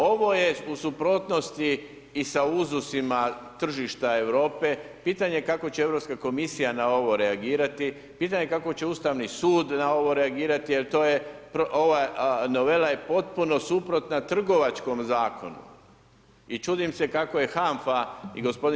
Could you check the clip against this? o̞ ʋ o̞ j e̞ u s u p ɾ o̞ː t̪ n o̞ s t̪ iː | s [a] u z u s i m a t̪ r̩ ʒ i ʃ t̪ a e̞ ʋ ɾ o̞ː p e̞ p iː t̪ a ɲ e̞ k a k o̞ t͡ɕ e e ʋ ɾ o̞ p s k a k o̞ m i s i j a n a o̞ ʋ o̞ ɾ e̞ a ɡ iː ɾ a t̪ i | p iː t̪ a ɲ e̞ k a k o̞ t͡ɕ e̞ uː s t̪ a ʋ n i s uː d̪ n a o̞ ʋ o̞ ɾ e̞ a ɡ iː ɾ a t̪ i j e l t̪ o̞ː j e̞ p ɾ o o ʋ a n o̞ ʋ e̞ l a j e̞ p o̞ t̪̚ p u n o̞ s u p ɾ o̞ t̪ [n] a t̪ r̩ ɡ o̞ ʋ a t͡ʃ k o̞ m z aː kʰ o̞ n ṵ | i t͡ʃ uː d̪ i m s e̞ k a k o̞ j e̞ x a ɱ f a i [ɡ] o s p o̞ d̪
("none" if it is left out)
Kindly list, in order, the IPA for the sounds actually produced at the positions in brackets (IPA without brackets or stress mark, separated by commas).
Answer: a, n, ɡ